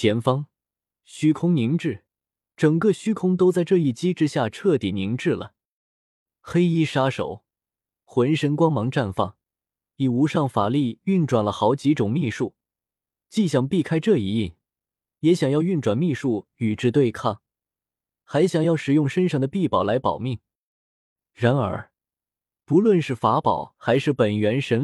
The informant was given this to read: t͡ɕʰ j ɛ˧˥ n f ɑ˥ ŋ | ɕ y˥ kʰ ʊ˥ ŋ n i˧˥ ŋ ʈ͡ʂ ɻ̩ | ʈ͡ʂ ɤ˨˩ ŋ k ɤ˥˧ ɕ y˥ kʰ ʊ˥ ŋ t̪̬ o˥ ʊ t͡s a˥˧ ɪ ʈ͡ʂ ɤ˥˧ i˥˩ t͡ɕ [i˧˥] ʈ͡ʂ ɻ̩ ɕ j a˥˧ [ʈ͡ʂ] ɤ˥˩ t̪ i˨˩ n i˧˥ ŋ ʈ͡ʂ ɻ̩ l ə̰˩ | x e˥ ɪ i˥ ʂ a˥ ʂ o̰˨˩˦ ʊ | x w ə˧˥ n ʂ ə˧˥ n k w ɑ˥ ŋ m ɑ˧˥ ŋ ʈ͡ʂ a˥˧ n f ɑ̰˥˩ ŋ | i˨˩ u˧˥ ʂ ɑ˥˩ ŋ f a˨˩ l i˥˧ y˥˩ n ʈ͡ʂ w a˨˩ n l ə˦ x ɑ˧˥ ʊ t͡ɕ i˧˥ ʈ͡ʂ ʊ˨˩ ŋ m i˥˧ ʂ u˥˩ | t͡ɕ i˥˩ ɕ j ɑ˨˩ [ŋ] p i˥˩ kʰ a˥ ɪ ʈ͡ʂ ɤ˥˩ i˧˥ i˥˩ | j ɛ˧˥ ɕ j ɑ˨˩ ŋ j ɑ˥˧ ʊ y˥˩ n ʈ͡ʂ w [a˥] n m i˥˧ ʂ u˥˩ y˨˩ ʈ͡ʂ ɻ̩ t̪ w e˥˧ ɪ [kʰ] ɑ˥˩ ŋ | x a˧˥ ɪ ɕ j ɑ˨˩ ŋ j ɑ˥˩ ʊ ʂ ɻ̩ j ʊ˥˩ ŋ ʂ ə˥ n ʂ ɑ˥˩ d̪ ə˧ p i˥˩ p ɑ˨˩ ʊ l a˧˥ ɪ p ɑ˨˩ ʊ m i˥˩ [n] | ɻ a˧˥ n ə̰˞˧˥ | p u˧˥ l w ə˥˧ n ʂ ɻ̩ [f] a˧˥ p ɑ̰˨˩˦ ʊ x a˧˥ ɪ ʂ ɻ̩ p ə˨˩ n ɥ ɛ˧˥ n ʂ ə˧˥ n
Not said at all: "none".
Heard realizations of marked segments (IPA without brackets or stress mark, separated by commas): i˥, ʈ͡ʂʰ, ŋ, a˨˩, kʰ, ŋ, f